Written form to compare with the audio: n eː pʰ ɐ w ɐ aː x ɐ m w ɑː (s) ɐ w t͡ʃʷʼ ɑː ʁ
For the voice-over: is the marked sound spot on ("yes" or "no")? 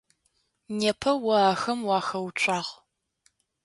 no